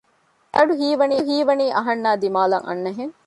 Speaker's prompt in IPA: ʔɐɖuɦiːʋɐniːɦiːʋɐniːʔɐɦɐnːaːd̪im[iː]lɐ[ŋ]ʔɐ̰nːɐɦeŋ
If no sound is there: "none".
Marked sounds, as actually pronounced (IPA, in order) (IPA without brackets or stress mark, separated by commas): aː, ŋ